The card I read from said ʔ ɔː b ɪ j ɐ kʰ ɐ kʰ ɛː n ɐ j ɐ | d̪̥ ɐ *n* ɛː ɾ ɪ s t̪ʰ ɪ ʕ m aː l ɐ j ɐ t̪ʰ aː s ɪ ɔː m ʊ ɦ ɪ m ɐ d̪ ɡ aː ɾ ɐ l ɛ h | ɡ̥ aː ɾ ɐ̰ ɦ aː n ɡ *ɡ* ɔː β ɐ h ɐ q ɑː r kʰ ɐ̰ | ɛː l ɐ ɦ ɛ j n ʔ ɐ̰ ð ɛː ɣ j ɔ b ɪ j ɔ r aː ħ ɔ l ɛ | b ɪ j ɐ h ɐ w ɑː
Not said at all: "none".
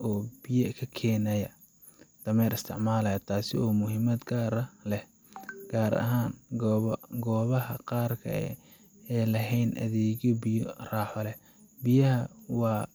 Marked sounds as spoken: m, ɡ

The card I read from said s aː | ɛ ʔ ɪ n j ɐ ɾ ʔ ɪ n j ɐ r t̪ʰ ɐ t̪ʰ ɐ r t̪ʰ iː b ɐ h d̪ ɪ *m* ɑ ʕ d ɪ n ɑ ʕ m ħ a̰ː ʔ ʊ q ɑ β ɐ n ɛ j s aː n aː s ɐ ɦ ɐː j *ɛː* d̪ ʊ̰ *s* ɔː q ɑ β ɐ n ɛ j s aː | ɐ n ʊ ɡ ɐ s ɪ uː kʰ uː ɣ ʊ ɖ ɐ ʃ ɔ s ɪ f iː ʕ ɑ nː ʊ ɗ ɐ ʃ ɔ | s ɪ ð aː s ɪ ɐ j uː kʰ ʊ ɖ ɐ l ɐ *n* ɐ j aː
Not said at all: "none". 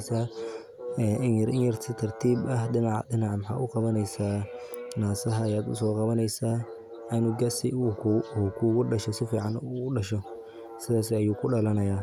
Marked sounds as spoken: n, aː, s, n

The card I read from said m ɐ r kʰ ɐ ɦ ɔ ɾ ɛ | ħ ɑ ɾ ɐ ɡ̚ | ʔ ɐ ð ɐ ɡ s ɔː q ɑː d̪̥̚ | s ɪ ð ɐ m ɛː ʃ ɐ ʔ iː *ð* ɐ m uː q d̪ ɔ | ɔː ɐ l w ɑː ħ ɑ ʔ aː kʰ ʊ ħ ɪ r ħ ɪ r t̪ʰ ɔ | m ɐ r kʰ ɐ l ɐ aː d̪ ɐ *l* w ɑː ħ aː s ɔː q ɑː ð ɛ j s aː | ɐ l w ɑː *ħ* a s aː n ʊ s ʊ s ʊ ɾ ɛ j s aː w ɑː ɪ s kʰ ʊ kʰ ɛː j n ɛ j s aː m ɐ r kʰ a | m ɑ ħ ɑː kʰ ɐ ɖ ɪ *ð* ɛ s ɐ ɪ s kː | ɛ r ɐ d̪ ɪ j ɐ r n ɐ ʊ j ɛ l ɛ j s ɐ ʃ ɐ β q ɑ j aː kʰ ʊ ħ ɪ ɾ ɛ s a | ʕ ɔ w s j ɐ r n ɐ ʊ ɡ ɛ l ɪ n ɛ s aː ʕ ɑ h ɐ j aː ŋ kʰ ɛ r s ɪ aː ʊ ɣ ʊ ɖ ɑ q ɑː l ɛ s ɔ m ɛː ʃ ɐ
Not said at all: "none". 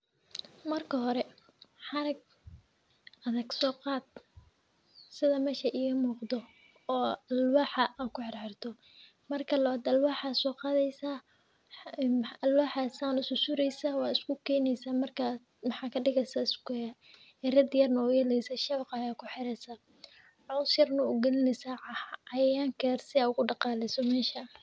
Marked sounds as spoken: ɣ, l, ħ, ɣ

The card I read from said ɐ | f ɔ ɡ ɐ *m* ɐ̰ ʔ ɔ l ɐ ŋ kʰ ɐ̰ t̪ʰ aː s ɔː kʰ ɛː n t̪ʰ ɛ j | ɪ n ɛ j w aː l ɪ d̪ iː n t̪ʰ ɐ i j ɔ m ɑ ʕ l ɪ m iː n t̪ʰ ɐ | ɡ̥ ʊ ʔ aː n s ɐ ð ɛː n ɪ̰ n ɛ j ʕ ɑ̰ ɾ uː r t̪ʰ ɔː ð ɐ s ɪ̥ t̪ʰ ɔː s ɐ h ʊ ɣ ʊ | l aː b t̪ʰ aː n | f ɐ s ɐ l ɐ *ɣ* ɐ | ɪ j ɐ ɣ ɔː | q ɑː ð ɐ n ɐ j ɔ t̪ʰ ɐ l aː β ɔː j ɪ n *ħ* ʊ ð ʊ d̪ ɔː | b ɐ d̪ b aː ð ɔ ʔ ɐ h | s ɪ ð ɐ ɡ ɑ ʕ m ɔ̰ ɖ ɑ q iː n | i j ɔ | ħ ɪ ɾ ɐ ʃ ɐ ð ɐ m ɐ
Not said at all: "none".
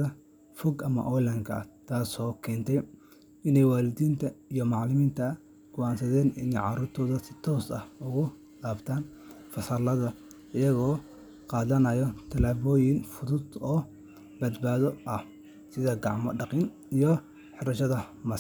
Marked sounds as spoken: m, ð, f

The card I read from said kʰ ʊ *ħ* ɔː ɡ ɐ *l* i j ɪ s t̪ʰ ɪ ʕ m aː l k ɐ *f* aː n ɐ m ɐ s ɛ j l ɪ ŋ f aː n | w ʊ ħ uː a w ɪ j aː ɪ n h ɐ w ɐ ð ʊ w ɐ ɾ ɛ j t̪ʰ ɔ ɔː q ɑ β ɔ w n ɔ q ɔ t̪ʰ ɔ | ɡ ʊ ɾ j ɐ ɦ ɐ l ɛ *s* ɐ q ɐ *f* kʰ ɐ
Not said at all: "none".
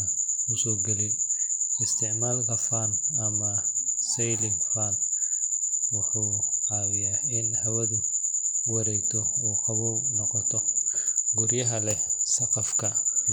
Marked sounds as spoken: s, l, f, s, f

